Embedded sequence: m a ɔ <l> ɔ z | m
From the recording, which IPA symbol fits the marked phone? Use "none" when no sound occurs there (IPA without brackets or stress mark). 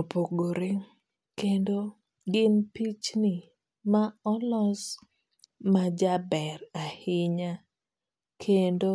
l